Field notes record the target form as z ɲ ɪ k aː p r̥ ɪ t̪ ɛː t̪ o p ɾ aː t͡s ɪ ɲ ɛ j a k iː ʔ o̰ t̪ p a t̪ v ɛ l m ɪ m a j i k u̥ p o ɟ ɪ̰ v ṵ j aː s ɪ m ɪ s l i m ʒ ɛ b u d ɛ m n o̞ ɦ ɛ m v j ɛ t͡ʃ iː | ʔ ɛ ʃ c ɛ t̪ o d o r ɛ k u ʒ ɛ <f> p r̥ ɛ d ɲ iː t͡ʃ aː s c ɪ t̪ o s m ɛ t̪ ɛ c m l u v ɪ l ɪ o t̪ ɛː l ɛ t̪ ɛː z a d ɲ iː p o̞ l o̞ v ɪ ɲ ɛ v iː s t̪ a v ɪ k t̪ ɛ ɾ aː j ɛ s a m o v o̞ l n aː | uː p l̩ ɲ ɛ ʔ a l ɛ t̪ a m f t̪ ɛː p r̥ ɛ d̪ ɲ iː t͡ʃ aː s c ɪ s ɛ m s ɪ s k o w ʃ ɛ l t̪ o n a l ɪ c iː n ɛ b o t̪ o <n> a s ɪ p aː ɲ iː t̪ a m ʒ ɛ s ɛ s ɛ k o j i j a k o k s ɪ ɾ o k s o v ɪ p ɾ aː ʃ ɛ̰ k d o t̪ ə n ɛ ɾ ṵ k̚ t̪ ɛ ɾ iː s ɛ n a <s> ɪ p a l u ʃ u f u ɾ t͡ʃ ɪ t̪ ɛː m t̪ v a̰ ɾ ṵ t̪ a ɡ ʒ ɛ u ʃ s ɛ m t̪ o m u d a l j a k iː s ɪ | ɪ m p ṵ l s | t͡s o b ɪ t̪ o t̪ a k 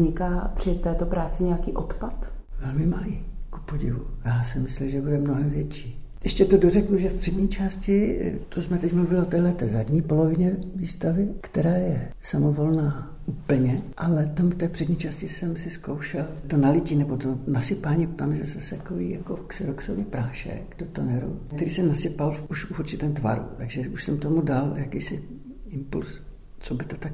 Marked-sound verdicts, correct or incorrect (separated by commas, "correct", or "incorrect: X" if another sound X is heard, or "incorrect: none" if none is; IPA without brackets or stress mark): correct, correct, correct